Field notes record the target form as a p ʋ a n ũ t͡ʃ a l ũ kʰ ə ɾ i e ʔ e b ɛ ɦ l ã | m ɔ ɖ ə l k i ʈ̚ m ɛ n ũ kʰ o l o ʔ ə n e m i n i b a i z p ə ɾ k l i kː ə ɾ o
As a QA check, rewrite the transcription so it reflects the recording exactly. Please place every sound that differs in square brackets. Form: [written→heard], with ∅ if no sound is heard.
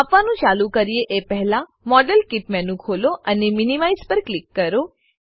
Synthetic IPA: a p ʋ a n ũ t͡ʃ a l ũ [kʰ→k] ə ɾ i e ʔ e [b→p] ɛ ɦ l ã | m ɔ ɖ ə l k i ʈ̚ m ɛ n ũ kʰ o l o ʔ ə n e m i n i [b→m] a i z p ə ɾ k l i kː ə ɾ o